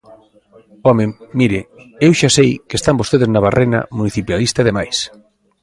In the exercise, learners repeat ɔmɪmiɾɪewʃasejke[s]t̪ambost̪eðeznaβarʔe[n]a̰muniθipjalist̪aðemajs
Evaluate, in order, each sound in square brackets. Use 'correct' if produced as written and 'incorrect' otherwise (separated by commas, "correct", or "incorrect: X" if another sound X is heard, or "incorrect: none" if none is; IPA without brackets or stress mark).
correct, correct